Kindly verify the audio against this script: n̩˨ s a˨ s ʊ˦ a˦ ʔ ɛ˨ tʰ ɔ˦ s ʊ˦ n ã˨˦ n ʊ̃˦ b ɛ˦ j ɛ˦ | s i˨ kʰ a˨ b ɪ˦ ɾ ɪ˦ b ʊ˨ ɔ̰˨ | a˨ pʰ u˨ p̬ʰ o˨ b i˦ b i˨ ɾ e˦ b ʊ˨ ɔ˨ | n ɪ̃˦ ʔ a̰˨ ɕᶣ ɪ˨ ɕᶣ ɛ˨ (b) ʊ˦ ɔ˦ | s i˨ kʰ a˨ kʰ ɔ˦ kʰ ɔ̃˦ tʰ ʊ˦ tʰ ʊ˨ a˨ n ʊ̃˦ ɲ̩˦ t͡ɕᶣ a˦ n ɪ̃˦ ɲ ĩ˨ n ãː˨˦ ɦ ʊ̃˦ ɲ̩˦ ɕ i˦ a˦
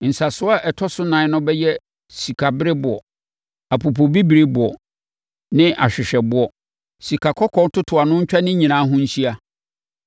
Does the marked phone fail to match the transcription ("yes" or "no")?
no